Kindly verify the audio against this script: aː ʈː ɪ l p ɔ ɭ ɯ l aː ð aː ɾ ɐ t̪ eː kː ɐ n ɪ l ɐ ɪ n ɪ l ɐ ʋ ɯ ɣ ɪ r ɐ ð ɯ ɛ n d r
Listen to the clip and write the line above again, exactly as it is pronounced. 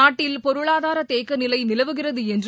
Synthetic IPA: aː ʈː ɪ l p ɔ ɾ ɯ ɭ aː ð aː ɾ ɐ t̪ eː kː ɐ n ɪ l ɐ ɪ n ɪ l ɐ ʋ ɯ ɣ ɪ r ɐ ð ɯ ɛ n d r